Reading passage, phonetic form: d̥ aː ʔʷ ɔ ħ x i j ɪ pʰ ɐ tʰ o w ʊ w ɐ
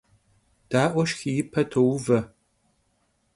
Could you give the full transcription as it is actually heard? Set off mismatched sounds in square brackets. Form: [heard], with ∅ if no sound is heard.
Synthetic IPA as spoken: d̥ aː ʔʷ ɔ [ʃ] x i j ɪ pʰ ɐ tʰ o w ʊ [v] ɐ